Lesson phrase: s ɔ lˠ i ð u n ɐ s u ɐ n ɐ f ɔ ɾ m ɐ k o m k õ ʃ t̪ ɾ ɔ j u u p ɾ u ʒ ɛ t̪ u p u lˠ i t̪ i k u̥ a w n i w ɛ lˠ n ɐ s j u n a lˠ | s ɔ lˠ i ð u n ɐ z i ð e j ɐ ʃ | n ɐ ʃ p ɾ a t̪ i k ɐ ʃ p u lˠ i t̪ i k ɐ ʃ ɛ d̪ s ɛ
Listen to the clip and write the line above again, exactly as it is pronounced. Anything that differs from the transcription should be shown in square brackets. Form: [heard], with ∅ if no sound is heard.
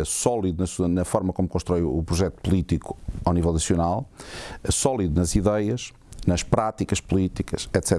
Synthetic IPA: s ɔ lˠ i ð u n ɐ s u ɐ n ɐ f ɔ ɾ m ɐ k o m k õ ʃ t̪ ɾ ɔ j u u p ɾ u ʒ ɛ t̪ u p u lˠ i t̪ i k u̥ a w n i [v] ɛ lˠ n ɐ s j u n a lˠ | s ɔ lˠ i ð u n ɐ z i ð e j ɐ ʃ | n ɐ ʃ p ɾ a t̪ i k ɐ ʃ p u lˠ i t̪ i k ɐ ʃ ɛ [t̪] s ɛ